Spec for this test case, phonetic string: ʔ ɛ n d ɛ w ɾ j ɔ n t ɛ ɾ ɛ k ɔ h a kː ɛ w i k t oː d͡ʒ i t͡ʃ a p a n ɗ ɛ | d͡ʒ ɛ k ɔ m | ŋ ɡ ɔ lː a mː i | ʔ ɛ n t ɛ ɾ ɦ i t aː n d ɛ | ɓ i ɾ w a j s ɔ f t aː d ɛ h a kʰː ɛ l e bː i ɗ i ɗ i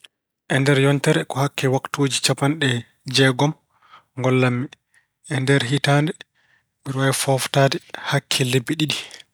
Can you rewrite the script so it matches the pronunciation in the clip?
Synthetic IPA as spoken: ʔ ɛ n d ɛ ɾ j ɔ n t ɛ ɾ ɛ k ɔ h a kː ɛ w a k t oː d͡ʒ i t͡ʃ a p a n ɗ ɛ | d͡ʒ ɛ ɡ ɔ m | ŋ ɡ ɔ lː a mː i | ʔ ɛ n d ɛ ɾ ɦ i t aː n d ɛ | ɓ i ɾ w a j f ɔ f t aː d ɛ h a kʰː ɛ l e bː i ɗ i ɗ i